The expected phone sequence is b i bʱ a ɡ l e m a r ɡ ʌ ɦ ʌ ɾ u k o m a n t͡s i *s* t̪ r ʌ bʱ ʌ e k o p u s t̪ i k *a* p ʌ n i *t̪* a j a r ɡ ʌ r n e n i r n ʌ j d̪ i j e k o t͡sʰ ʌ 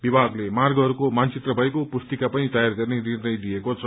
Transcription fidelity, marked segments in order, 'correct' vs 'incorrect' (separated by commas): incorrect, correct, correct